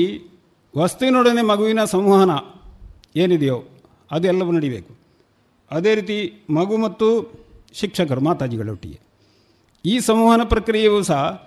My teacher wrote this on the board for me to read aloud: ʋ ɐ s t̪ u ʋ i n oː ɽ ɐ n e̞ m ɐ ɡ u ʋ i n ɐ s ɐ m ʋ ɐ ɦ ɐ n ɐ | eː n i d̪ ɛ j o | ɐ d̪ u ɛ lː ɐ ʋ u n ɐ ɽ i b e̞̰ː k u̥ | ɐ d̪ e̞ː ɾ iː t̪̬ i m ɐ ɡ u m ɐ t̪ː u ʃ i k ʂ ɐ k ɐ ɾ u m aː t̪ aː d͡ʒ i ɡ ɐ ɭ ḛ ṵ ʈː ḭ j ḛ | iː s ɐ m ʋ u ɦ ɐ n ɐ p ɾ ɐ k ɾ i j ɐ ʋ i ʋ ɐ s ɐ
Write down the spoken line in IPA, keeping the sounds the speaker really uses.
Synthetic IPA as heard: ʋ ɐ s t̪ u ʋ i n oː ɽ ɐ n e̞ m ɐ ɡ u ʋ i n ɐ s ɐ m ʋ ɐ ɦ ɐ n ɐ | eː n i d̪ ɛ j o | ɐ d̪ u ɛ lː ɐ ʋ u n ɐ ɽ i b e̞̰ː k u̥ | ɐ d̪ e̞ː ɾ iː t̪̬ i m ɐ ɡ u m ɐ t̪ː u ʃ i k ʂ ɐ k ɐ ɾ u m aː t̪ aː d͡ʒ i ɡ ɐ ɭ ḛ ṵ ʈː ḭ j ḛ | iː s ɐ m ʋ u ɦ ɐ n ɐ p ɾ ɐ k ɾ i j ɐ ʋ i ʋ ɐ s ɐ